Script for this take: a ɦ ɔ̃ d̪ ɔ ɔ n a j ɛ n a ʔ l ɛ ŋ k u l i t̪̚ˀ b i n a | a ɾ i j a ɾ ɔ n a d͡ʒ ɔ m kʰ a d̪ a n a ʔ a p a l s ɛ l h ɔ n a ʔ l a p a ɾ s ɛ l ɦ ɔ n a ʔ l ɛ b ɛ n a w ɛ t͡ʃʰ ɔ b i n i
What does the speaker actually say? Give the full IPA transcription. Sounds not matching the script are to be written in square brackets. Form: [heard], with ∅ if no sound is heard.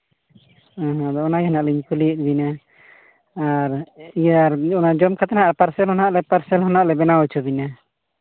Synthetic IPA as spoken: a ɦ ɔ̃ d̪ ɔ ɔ n a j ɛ n a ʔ l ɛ [ɲ] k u l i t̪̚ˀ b i n a | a ɾ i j a ɾ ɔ n a d͡ʒ ɔ m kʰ a [t̪] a n a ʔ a p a [ɾ] s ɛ l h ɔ n a ʔ l [ɛ] p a ɾ s ɛ l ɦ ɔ n a ʔ l ɛ b ɛ n a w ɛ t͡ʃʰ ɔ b i n [a]